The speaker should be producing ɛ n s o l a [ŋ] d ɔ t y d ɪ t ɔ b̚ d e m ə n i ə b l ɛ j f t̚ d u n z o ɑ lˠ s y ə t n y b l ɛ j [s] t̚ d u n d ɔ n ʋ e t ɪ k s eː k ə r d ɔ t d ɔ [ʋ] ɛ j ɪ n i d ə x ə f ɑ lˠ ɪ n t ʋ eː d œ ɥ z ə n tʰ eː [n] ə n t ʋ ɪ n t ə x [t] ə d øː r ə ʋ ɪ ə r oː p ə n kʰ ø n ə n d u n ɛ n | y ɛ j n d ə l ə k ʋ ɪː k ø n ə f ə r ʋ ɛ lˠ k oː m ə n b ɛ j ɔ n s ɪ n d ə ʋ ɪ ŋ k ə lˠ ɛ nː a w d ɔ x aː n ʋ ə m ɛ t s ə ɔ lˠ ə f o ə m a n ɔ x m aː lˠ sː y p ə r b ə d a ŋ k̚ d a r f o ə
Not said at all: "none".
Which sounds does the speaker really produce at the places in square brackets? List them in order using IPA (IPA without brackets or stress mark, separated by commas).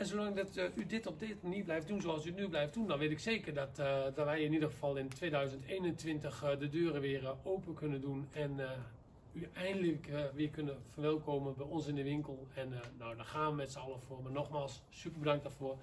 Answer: ŋ, f, ʋ, n, d